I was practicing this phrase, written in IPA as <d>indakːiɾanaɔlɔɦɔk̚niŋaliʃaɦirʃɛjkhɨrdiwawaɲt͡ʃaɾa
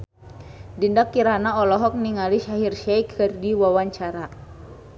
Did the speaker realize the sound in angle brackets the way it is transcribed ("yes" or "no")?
yes